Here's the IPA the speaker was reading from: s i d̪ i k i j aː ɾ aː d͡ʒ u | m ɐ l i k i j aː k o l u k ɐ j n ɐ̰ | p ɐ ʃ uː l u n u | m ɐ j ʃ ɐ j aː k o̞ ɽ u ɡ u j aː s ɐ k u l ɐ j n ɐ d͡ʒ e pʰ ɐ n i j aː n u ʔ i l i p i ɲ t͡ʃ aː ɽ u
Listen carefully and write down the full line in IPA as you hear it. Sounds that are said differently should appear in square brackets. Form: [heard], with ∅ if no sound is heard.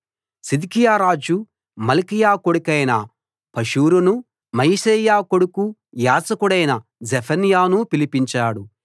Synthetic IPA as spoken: s i d̪ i k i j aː ɾ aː d͡ʒ u | m ɐ l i k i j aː k o [ɽ] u k ɐ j n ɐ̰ | p ɐ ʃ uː [ɾ] u n u | m ɐ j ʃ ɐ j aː k o̞ ɽ u [k] u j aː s ɐ k u [ɽ] ɐ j n ɐ d͡ʒ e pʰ ɐ n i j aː n u [p] i l i p i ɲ t͡ʃ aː ɽ u